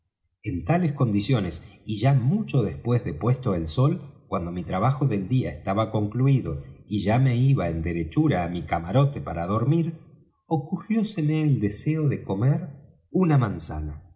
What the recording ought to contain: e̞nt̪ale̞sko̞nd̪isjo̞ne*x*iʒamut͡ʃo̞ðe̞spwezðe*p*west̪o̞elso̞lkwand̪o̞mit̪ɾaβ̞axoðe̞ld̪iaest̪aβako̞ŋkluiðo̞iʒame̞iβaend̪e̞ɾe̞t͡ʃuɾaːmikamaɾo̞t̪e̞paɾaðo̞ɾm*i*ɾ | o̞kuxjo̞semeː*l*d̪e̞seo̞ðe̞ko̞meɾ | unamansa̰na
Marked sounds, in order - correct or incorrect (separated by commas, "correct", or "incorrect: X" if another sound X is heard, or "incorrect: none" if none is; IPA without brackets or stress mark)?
incorrect: s, correct, correct, correct